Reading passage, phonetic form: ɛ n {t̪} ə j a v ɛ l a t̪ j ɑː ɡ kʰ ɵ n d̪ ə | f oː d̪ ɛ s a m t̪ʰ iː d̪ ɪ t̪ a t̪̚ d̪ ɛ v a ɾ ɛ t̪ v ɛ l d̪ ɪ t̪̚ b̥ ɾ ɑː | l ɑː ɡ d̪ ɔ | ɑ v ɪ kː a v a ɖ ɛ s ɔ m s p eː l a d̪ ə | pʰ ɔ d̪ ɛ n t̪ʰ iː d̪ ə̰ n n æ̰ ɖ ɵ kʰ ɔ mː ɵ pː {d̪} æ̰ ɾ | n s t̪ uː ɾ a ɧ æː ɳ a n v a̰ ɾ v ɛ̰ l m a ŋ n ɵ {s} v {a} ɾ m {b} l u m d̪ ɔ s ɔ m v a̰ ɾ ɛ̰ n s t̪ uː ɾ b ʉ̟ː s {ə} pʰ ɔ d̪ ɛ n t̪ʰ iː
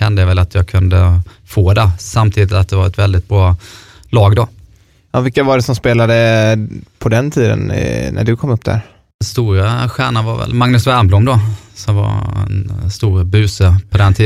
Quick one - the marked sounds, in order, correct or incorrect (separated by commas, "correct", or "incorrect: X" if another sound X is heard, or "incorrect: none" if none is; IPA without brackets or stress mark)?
incorrect: d̪, correct, correct, incorrect: æ, correct, correct